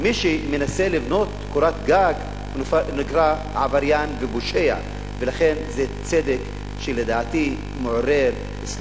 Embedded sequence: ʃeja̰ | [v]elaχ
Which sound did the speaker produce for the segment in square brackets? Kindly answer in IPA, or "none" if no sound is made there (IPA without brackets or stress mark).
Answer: v